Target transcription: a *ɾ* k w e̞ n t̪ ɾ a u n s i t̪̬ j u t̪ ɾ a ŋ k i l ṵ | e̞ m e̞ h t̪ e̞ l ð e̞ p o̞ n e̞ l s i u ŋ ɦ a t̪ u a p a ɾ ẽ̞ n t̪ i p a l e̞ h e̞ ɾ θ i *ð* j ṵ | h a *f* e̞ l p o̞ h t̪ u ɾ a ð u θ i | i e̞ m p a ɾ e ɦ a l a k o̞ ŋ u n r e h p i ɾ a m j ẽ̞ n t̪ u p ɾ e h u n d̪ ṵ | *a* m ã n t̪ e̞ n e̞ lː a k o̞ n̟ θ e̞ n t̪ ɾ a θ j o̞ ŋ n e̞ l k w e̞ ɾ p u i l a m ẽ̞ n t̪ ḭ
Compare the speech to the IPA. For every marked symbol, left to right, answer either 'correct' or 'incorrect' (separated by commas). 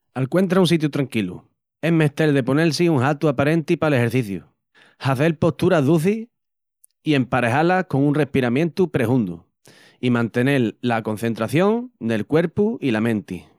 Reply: incorrect, incorrect, incorrect, incorrect